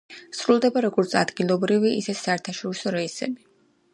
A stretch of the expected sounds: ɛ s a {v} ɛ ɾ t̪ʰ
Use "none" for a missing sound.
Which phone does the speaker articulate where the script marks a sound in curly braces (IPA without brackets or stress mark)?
none